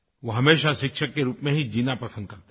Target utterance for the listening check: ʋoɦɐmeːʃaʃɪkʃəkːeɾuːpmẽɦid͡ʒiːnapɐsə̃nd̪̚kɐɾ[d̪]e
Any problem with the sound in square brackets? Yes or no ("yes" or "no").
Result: yes